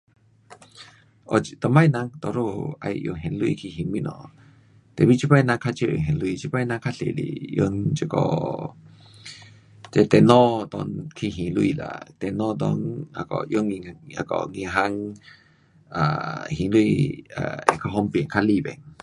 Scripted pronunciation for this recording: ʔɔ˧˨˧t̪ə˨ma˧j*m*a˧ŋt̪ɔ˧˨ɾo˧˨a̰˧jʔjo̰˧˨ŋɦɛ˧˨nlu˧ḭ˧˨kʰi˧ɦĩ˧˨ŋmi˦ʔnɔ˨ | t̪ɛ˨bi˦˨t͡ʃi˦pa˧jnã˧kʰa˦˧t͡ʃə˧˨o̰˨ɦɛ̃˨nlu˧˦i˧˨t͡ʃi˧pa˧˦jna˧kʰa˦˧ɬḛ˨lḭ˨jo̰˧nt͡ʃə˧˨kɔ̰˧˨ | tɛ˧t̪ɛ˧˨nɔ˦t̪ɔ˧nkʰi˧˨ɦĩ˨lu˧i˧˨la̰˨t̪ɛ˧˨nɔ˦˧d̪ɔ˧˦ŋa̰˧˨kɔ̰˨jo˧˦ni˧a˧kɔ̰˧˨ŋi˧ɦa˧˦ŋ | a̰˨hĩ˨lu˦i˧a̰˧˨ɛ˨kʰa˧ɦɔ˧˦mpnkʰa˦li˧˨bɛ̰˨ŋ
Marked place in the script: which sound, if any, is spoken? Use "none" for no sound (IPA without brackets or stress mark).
n